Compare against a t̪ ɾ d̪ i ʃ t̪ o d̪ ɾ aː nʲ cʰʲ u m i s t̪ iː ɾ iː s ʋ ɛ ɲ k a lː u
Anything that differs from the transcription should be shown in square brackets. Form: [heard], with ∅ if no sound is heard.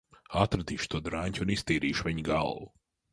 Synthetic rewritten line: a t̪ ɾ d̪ i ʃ t̪ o d̪ ɾ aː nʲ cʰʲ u [n] i s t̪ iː ɾ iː [ʃ] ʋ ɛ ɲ [ɡ] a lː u